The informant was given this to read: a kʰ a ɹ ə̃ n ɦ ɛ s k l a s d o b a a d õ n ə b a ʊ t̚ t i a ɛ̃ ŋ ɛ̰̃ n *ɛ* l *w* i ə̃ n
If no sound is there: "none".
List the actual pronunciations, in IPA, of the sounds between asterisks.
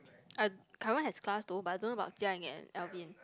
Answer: ɛ, v

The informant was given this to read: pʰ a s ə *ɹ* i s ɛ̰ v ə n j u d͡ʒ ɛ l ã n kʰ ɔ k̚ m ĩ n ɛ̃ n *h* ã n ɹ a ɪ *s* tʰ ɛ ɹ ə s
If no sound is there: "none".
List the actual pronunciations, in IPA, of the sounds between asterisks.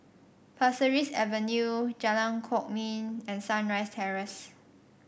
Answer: ɹ, s, s

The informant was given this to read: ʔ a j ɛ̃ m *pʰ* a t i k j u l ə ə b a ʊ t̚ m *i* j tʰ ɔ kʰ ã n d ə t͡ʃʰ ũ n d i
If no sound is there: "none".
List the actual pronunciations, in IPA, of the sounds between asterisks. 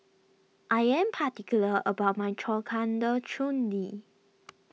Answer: pʰ, a

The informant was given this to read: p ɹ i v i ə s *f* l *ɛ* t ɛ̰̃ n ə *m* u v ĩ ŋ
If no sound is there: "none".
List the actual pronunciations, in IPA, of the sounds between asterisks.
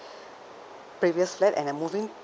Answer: f, ɛ, m

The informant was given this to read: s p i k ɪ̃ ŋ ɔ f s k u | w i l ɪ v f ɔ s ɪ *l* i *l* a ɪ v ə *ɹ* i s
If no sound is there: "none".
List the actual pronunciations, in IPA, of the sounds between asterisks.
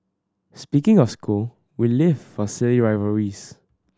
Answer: l, ɹ, ɹ

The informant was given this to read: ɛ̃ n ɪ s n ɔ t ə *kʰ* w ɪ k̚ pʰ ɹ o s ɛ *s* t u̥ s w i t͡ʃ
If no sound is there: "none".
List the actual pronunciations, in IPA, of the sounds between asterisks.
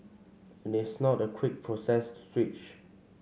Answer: kʰ, s

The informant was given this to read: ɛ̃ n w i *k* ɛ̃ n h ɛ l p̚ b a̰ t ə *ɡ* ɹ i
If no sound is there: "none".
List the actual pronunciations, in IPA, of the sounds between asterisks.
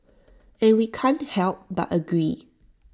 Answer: kʰ, ɡ

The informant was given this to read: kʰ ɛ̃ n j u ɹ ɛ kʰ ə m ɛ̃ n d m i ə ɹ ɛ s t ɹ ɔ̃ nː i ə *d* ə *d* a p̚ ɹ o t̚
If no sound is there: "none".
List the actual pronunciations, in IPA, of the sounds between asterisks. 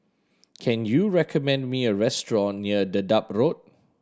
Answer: d, d

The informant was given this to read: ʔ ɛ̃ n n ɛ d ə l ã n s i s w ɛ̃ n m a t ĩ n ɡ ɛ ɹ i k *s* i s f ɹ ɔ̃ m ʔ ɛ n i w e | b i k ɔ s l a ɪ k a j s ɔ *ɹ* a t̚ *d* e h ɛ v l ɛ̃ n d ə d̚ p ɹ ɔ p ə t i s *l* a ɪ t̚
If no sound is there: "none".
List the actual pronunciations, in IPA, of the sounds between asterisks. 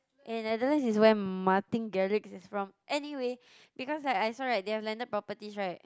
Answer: s, ɹ, d, ɹ

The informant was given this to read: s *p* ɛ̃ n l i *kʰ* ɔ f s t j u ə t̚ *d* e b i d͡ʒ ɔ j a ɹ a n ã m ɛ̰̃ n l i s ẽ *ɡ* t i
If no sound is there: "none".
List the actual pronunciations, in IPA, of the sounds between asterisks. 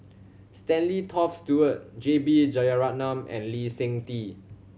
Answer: t, tʰ, d͡ʒ, ŋ

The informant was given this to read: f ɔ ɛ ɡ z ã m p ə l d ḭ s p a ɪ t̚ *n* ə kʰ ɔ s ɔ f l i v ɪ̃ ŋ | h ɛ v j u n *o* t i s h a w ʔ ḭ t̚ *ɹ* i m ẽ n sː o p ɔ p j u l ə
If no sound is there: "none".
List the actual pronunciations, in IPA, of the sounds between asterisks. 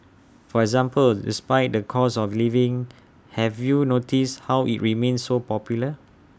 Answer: d, o, ɹ

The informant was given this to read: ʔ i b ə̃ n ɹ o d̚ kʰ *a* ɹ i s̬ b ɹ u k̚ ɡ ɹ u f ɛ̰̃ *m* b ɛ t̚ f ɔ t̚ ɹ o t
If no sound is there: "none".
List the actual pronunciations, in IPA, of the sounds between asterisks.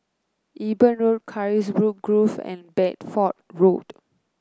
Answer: a, n

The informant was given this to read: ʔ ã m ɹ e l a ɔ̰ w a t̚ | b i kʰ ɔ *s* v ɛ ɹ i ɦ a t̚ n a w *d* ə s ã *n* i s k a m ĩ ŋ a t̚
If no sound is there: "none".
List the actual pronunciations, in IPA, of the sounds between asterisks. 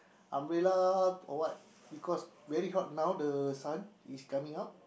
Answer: s, d, n

